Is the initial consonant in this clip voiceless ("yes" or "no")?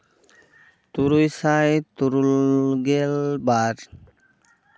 yes